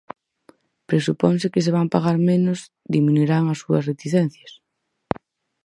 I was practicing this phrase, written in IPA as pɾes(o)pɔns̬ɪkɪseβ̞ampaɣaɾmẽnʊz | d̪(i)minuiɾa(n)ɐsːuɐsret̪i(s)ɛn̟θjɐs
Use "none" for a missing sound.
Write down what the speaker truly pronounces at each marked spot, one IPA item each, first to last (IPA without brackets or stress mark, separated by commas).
u, i, ŋ, θ